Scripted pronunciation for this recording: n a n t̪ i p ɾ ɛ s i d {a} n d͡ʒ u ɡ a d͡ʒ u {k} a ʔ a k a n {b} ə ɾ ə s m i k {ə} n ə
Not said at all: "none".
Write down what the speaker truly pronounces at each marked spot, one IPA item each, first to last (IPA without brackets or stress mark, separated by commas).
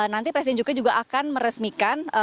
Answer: ɛ, ɡ, m, a